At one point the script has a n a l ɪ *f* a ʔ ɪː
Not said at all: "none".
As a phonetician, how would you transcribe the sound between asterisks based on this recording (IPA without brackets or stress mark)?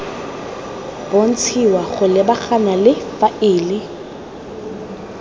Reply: f